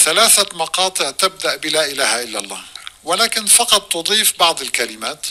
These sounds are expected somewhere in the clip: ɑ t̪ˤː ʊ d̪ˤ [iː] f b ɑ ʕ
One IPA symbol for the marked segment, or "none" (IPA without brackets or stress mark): iː